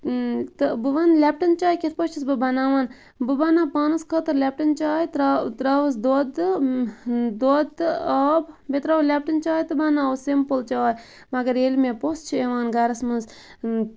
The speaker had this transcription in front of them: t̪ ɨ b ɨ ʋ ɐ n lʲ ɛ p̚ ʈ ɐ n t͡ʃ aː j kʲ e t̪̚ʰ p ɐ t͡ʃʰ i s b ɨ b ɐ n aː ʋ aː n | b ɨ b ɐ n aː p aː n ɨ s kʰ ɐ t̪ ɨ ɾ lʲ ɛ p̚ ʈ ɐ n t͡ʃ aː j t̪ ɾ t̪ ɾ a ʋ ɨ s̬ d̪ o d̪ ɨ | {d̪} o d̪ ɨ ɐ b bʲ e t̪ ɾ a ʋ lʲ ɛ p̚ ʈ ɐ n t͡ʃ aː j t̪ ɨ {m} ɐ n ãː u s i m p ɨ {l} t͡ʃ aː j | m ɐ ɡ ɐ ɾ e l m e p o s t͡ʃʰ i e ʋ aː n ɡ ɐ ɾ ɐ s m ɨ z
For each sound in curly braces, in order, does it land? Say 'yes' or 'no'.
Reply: yes, no, yes

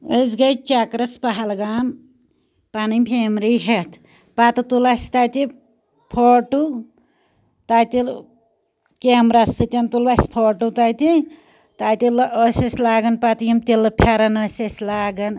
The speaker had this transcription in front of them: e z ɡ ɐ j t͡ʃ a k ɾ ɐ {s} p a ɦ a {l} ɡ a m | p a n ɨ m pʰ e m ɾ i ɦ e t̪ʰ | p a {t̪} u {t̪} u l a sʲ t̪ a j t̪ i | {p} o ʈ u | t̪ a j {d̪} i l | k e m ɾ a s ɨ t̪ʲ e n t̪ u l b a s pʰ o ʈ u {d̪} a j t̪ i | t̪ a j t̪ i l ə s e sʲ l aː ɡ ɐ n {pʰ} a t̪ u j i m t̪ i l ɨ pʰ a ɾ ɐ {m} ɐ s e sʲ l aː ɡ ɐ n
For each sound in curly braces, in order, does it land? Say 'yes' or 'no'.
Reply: yes, yes, yes, yes, no, no, no, no, no

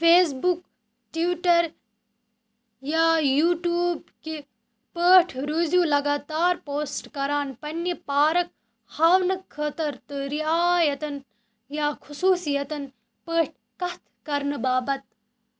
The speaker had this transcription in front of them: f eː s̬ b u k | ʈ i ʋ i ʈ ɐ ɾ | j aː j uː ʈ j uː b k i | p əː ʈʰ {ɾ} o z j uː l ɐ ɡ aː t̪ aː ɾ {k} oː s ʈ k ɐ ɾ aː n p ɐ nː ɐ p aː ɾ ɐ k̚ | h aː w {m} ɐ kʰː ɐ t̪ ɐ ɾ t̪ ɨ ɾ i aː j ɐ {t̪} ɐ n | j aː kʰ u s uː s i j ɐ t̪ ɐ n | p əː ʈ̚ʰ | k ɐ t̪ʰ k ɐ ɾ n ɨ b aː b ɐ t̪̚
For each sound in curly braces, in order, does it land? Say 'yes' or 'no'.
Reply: yes, no, no, yes

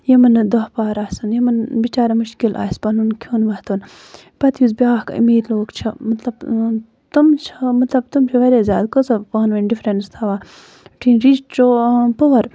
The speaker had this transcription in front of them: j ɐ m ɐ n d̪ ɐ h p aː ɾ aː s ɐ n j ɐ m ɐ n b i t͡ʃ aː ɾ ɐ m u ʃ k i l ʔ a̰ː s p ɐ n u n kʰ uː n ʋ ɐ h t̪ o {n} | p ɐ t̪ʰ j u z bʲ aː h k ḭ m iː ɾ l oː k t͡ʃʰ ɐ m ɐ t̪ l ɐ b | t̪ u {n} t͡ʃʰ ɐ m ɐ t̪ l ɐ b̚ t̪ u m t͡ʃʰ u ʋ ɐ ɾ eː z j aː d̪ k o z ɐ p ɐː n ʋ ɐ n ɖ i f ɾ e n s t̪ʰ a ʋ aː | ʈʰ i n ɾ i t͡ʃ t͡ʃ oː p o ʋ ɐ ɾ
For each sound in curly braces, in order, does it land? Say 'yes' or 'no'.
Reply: yes, no

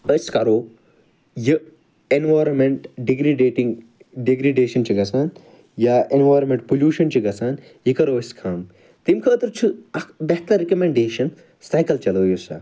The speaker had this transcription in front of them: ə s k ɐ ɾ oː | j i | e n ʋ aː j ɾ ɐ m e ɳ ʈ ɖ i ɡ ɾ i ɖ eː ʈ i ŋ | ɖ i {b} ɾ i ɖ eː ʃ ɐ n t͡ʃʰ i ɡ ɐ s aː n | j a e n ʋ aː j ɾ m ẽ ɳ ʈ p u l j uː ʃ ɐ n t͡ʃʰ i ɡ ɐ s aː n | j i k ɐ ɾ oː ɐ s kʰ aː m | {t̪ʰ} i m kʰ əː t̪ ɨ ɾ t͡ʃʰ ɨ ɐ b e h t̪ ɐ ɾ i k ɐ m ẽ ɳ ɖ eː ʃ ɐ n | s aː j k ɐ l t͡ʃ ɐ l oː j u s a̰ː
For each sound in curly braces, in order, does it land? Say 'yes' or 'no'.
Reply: no, no

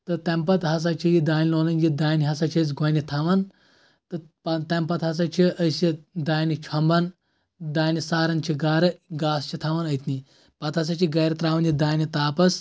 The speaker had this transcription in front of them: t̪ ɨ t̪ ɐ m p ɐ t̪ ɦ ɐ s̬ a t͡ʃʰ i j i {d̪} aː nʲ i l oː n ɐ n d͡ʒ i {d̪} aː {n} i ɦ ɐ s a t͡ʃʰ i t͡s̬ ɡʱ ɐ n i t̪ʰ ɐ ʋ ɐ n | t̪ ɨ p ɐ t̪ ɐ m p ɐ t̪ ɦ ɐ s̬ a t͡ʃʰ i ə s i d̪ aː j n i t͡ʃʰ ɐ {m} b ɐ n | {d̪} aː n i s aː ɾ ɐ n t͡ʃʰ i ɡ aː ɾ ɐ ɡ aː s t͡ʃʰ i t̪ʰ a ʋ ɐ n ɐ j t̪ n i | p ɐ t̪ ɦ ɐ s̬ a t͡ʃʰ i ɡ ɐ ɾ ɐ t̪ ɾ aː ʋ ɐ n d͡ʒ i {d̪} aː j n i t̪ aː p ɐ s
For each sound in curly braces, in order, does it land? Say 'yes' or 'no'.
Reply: yes, yes, yes, yes, yes, yes

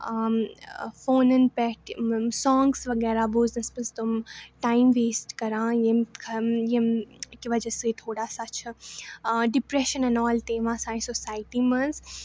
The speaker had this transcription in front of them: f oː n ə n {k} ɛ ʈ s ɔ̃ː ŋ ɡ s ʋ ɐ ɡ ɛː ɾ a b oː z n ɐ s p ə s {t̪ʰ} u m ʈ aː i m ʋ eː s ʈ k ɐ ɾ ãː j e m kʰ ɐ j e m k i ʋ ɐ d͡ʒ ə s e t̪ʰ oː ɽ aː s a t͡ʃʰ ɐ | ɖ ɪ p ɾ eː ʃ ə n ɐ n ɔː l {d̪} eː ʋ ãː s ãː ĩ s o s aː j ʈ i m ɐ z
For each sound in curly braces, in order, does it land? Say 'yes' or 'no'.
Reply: no, no, no

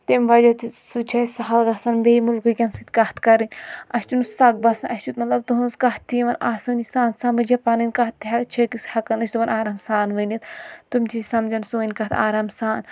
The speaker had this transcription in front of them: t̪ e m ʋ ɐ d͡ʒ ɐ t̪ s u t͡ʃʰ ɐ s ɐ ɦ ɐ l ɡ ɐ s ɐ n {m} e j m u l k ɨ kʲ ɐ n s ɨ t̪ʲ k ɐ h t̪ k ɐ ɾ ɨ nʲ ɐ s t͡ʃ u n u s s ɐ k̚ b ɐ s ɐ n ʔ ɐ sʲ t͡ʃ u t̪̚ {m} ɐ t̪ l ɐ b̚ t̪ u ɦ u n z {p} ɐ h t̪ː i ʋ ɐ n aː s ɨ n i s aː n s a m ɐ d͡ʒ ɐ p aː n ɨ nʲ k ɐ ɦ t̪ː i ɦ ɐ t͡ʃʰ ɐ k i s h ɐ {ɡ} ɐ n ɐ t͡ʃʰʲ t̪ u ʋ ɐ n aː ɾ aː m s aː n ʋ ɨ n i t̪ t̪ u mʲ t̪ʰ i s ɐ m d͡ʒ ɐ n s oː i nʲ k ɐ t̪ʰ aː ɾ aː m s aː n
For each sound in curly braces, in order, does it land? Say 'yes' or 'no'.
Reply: no, yes, no, no

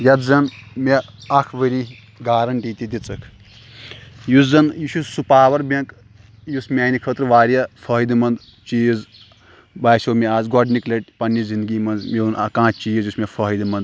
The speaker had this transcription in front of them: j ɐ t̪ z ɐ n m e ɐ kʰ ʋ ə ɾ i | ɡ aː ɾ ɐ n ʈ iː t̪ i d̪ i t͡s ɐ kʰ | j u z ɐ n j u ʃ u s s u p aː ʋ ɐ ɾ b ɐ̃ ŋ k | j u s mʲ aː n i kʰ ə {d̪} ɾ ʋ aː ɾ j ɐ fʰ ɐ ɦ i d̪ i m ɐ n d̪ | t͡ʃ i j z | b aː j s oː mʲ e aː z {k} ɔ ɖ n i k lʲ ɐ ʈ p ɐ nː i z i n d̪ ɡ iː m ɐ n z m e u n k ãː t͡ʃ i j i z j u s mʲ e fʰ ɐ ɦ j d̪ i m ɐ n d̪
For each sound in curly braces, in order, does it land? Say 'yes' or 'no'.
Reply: no, no

